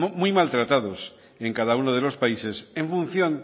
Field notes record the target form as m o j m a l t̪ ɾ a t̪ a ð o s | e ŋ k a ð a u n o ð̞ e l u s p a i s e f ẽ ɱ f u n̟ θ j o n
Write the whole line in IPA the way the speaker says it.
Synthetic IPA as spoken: m u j m a l t̪ ɾ a t̪ a ð o s | e ŋ k a ð a u n o ð̞ e l o s p a i s e s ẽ ɱ f u n̟ θ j o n

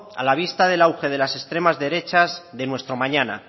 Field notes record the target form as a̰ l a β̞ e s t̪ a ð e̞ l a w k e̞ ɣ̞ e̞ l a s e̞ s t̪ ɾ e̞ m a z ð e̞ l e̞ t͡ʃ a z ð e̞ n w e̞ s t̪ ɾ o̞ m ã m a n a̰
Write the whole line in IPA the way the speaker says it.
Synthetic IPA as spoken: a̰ l a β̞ i s t̪ a ð e̞ l a w x e̞ ð̞ e̞ l a s e̞ s t̪ ɾ e̞ m a z ð e̞ ɾ e̞ t͡ʃ a z ð e̞ n w e̞ s t̪ ɾ o̞ m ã ɲ a n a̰

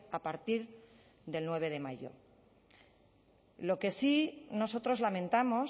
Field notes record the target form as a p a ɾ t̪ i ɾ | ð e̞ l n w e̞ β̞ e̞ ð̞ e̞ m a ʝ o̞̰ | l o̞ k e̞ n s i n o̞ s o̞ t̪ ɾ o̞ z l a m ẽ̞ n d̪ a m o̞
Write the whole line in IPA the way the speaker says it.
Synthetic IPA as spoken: a p a ɾ t̪ i ɾ | ð e̞ l n w e̞ β̞ e̞ ð̞ e̞ m a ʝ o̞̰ | l o̞ k e̞ s i n o̞ s o̞ t̪ ɾ o̞ z l a m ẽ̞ n t̪ a m o̞

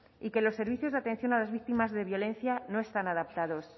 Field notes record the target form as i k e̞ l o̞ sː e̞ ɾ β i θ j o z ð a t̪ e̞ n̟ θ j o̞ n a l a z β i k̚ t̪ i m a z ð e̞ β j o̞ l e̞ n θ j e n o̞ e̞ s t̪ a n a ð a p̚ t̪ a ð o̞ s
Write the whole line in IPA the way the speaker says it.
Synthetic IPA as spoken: i k e̞ l o̞ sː e̞ ɾ β i θ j o z ð a t̪ e̞ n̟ θ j o̞ n a l a z β i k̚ t̪ i m a z ð e̞ β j o̞ l e̞ n θ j a n o̞ e̞ s t̪ a n a ð a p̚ t̪ a ð o̞ s

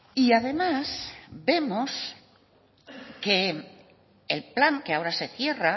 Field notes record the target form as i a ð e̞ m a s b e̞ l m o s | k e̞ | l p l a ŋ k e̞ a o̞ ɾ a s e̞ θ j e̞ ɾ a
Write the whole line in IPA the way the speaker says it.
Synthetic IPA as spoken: i a ð e̞ m a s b e̞ m o s | k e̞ | l p l a ŋ k e̞ a o̞ ɾ a s e̞ θ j e̞ r a

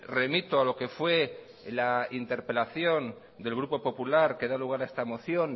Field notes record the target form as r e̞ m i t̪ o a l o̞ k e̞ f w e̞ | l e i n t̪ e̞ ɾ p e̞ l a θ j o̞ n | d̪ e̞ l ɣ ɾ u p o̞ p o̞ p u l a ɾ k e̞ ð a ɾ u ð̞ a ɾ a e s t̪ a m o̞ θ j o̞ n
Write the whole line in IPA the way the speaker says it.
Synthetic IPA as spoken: r e̞ m i t̪ o a l o̞ k e̞ f w e̞ | l a i n t̪ e̞ ɾ p e̞ l a θ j o̞ n | d̪ e̞ l ɣ ɾ u p o̞ p o̞ p u l a ɾ k e̞ ð a l u ɣ̞ a ɾ a e s t̪ a m o̞ θ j o̞ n

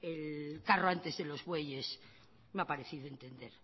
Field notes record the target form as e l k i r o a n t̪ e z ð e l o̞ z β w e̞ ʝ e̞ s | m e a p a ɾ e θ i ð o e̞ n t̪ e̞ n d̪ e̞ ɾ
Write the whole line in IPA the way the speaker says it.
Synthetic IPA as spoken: e l k a r o a n t̪ e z ð e l o̞ z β w e̞ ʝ e̞ s | m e a p a ɾ e θ i ð o e̞ n t̪ e̞ n d̪ e̞ ɾ

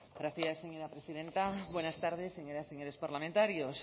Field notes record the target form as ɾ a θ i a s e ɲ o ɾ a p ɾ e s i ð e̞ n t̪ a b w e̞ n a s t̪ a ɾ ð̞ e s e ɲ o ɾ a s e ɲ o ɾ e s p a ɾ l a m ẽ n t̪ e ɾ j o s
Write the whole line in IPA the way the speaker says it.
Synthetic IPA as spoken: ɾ a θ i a s e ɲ o ɾ a p ɾ e s i ð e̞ n t̪ a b w e̞ n a s t̪ a ɾ ð̞ e s e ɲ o ɾ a s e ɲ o ɾ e s p a ɾ l a m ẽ n t̪ a ɾ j o s

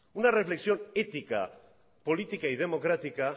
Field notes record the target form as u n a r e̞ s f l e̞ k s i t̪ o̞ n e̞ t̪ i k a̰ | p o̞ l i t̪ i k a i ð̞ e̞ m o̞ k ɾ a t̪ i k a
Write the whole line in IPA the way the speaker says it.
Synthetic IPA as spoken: u n a r e̞ f l e̞ k s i o̞ n e̞ t̪ i k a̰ | p o̞ l i t̪ i k a i ð̞ e̞ m o̞ k ɾ a t̪ i k a

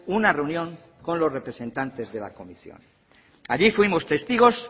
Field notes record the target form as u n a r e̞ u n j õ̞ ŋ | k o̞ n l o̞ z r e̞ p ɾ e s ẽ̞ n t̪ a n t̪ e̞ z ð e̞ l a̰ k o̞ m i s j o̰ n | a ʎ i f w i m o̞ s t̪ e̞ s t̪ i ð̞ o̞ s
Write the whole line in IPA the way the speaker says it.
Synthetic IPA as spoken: u n a r e̞ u n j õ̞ ŋ | k o̞ n l o̞ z r e̞ p ɾ e s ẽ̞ n t̪ a n t̪ e̞ z ð e̞ l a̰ k o̞ m i s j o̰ n | a ʎ i f w i m o̞ s t̪ e̞ s t̪ i ɣ̞ o̞ s

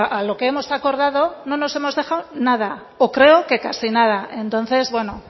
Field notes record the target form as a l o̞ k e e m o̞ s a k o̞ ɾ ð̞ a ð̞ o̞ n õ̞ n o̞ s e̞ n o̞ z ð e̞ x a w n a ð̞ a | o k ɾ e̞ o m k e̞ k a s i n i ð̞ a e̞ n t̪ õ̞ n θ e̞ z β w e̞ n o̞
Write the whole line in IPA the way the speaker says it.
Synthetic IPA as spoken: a l o̞ k e e m o̞ s a k o̞ ɾ ð̞ a ð̞ o̞ n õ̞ n o̞ s e̞ m o̞ z ð e̞ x a w n a ð̞ a | o k ɾ e̞ o k e̞ k a s i n a ð̞ a e̞ n t̪ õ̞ n θ e̞ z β w e̞ n o̞

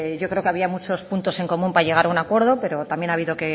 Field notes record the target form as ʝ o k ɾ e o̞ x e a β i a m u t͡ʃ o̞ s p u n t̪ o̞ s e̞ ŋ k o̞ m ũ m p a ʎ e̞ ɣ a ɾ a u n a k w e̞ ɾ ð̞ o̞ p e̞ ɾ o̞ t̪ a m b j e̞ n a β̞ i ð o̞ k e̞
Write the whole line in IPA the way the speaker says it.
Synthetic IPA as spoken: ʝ o k ɾ e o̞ k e a β i a m u t͡ʃ o̞ s p u n t̪ o̞ s e̞ ŋ k o̞ m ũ m p a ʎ e̞ ɣ a ɾ a u n a k w e̞ ɾ ð̞ o̞ p e̞ ɾ o̞ t̪ a m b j e̞ n a β̞ i ð o̞ k e̞

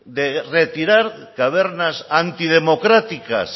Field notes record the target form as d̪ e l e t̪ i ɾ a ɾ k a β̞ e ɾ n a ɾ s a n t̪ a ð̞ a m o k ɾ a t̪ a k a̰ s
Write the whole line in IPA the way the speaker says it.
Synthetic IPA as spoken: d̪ e r e t̪ i ɾ a ɾ k a β̞ e ɾ n a s a n t̪ i ð̞ e m o k ɾ a t̪ i k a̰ s

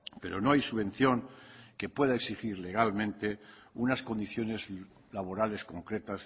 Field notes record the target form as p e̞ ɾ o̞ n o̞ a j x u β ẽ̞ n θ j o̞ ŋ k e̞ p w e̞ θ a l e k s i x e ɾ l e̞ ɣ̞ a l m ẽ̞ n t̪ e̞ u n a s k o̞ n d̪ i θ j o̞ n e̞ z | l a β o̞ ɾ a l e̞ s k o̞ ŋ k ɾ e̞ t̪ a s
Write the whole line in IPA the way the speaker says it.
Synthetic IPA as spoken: p e̞ ɾ o̞ n o̞ a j s u β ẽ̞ n θ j o̞ ŋ k e̞ p w e̞ ð a e k s i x i ɾ l e̞ ɣ̞ a l m ẽ̞ n t̪ e̞ u n a s k o̞ n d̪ i θ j o̞ n e̞ z | l a β o̞ ɾ a l e̞ s k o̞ ŋ k ɾ e̞ t̪ a s

